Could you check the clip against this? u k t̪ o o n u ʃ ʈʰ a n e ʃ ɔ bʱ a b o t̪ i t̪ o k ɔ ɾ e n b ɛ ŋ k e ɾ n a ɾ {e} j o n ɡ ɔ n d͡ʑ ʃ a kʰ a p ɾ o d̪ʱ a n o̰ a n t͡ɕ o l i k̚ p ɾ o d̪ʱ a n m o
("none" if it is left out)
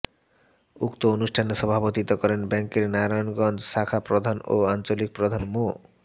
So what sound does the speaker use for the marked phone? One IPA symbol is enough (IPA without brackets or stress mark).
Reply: a